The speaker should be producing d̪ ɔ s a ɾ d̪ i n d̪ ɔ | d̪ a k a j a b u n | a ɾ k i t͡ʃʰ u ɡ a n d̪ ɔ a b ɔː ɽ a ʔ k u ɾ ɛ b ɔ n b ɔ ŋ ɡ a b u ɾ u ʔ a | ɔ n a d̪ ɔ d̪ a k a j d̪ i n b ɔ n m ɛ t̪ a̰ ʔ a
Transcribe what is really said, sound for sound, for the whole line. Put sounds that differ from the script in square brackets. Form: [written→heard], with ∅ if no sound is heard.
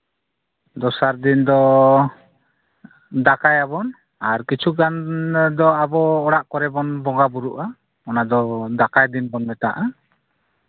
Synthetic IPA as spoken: d̪ ɔ s a ɾ d̪ i n d̪ ɔ | d̪ a k a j a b [u→ɔ] n | a ɾ k i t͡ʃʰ u ɡ a n d̪ ɔ a b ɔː ɽ a ʔ k [u→ɔ] ɾ ɛ b ɔ n b ɔ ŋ ɡ a b u ɾ u ʔ a | ɔ n a d̪ ɔ d̪ a k a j d̪ i n b ɔ n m ɛ t̪ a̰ ʔ a

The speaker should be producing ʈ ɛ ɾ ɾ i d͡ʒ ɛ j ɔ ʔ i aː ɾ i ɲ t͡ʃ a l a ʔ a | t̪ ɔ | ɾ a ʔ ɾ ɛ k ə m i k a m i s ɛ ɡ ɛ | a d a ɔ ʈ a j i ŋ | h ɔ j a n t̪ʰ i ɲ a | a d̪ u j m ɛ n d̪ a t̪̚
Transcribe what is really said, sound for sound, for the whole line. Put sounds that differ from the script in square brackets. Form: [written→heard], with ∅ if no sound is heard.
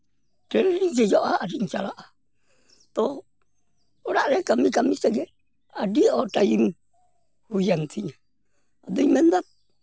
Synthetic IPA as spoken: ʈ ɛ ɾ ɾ i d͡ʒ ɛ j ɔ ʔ [i→a] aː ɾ i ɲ t͡ʃ a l a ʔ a | t̪ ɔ | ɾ a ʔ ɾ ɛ k [ə→a] m i k a m i s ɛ ɡ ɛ | a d [a→i] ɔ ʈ a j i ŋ | h [ɔ→u] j a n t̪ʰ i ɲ a | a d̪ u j m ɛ n d̪ a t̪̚

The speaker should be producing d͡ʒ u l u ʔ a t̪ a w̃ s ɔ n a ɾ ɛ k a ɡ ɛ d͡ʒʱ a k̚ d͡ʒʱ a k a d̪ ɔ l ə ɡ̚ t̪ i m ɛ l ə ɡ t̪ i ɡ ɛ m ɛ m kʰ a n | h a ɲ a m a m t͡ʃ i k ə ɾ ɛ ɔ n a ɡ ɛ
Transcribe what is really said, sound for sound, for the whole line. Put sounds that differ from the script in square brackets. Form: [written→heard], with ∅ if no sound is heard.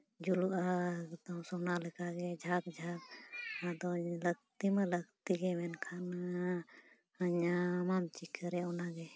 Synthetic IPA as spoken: d͡ʒ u l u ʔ a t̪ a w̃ s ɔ n a [ɾ→l] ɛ k a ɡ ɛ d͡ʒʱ a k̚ d͡ʒʱ a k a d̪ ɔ l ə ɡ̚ t̪ i m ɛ l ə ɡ t̪ i ɡ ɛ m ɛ [m→n] kʰ a n | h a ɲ a m a m t͡ʃ i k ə ɾ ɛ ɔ n a ɡ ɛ

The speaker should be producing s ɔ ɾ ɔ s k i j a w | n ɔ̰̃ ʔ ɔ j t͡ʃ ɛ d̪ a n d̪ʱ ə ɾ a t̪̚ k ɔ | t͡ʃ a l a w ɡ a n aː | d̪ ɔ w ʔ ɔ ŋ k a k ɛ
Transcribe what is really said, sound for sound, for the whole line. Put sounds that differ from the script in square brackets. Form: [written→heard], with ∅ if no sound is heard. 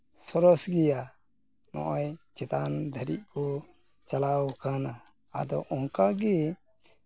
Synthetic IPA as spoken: s ɔ ɾ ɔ s [k→ɡ] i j a [w→∅] | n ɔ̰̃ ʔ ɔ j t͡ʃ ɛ [d̪→t̪] a n d̪ʱ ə ɾ [a→i] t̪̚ k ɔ | t͡ʃ a l a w [ɡ→k] a n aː | d̪ ɔ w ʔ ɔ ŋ k a [k→ɡ] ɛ

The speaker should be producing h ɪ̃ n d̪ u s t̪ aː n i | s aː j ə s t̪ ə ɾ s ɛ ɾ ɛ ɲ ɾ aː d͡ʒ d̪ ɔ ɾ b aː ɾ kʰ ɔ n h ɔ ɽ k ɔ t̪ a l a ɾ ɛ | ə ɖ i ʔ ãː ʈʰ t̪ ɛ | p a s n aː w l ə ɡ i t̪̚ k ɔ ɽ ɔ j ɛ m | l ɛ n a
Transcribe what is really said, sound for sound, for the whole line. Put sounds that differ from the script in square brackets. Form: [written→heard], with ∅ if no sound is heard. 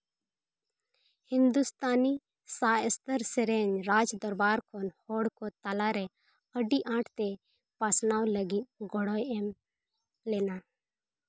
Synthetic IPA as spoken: h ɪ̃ n d̪ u s t̪ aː n i | s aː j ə s t̪ ə ɾ s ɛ ɾ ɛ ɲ ɾ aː d͡ʒ d̪ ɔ ɾ b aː ɾ kʰ ɔ n h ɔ ɽ k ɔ t̪ a l a ɾ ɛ | ə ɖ i ʔ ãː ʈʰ t̪ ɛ | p a s n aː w l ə ɡ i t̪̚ [k→ɡ] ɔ ɽ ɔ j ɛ m | l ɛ n a

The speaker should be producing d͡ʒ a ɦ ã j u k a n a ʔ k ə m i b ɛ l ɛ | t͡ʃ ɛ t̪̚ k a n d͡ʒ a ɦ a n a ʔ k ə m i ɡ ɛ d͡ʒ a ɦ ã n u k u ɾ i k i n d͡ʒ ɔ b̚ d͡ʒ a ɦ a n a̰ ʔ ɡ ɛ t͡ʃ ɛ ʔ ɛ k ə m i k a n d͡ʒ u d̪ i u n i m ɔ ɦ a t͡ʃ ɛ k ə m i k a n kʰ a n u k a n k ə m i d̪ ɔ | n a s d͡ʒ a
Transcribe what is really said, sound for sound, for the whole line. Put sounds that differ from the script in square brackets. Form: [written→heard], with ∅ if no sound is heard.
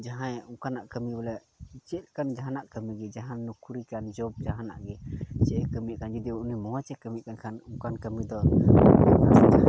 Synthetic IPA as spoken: d͡ʒ a ɦ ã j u k a n a ʔ k ə m i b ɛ l ɛ | t͡ʃ ɛ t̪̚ k a n d͡ʒ a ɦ a n a ʔ k ə m i ɡ ɛ d͡ʒ a ɦ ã n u k u ɾ i k [i→a] n d͡ʒ ɔ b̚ d͡ʒ a ɦ a n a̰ ʔ ɡ ɛ t͡ʃ ɛ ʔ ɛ k ə m i k a n d͡ʒ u d̪ i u n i m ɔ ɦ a t͡ʃ ɛ k ə m i k a n kʰ a n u k a n k ə m i d̪ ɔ | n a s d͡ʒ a

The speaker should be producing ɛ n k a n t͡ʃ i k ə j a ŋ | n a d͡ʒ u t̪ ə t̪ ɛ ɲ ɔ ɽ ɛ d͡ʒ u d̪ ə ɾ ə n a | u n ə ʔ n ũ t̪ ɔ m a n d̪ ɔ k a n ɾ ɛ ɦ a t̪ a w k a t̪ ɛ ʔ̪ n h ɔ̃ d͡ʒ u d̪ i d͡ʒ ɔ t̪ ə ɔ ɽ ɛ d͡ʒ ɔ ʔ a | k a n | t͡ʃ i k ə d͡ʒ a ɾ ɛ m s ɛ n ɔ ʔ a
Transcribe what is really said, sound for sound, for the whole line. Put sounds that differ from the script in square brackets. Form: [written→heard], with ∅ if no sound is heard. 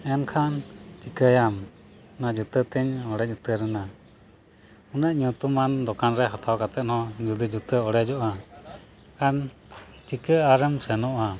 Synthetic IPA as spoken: ɛ n [k→kʰ] a n t͡ʃ i k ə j a [ŋ→m] | n a d͡ʒ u t̪ ə t̪ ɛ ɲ ɔ ɽ ɛ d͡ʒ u [d̪→t̪] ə ɾ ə n a | u n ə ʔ [n→ɲ] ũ t̪ [ɔ→u] m a n d̪ ɔ k a n ɾ ɛ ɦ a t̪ a w k a t̪ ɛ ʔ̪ n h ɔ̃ d͡ʒ u d̪ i d͡ʒ [ɔ→u] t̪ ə ɔ ɽ ɛ d͡ʒ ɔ ʔ a | k a n | t͡ʃ i k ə [d͡ʒ→∅] a ɾ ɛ m s ɛ n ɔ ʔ a

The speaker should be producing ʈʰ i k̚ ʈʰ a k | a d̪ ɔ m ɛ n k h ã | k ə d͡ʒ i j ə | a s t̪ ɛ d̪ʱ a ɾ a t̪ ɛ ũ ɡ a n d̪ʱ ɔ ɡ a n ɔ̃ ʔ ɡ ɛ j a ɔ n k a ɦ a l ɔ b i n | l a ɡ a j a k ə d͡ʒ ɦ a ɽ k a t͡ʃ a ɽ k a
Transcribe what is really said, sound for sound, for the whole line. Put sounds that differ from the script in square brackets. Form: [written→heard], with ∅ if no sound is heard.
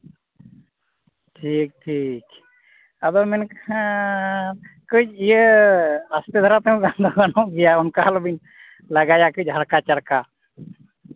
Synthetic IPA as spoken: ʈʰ i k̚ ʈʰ [a→i] k | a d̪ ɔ m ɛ n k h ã | k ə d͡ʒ i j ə | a s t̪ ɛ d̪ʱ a ɾ a t̪ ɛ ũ ɡ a n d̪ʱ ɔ ɡ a n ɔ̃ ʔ ɡ ɛ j a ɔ n k a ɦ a l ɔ b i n | l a ɡ a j a k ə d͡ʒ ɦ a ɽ k a t͡ʃ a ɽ k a

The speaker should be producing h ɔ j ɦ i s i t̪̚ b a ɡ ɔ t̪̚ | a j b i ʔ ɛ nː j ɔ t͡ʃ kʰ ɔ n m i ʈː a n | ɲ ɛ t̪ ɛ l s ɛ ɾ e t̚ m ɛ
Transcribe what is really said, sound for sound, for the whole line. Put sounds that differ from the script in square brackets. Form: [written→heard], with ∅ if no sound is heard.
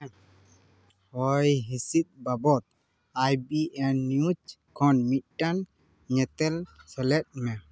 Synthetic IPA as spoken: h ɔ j ɦ i s i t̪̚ b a [ɡ→b] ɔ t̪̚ | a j b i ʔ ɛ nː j [ɔ→u] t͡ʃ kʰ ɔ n m i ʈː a n | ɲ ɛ t̪ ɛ l s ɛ [ɾ→l] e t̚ m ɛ

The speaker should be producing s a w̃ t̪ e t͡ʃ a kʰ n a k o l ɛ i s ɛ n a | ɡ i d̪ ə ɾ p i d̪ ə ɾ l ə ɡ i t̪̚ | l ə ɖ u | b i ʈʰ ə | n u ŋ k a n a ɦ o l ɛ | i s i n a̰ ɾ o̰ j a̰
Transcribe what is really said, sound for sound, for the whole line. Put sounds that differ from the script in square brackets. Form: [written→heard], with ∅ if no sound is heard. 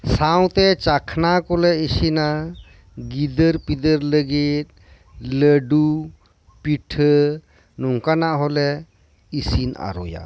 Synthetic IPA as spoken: s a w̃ t̪ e t͡ʃ a kʰ n a k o l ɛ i s [ɛ→i] n a | ɡ i d̪ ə ɾ p i d̪ ə ɾ l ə ɡ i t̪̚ | l ə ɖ u | [b→p] i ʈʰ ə | n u ŋ k a n a ɦ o l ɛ | i s i n a̰ ɾ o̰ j a̰

